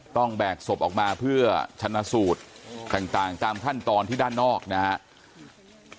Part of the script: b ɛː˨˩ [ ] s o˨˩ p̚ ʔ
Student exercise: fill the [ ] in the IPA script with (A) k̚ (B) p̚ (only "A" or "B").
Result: A